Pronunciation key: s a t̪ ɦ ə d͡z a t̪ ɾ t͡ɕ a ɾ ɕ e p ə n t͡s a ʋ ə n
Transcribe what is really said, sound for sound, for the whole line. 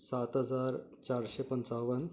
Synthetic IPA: s a t̪ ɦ ə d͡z a ɾ t͡ɕ a ɾ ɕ e p ə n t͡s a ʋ ə n